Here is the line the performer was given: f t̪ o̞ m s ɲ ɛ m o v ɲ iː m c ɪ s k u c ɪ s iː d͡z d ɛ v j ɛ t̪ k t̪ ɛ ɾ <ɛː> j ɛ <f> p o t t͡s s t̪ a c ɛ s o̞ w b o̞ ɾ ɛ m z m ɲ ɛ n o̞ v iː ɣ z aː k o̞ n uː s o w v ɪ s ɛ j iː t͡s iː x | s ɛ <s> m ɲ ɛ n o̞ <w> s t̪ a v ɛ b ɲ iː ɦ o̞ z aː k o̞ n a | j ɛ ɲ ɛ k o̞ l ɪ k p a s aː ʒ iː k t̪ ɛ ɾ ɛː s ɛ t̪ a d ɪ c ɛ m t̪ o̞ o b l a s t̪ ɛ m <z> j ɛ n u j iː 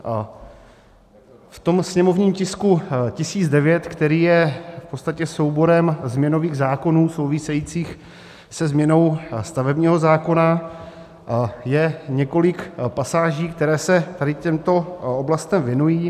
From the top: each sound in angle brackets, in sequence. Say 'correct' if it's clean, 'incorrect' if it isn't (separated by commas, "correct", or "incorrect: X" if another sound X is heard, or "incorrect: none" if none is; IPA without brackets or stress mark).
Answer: incorrect: iː, correct, incorrect: z, correct, incorrect: v